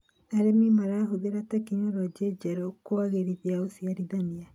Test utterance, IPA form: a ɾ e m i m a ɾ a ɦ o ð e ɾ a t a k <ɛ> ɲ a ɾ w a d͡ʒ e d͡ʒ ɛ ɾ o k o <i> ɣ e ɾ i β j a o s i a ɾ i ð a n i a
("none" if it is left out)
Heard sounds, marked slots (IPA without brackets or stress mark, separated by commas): i, a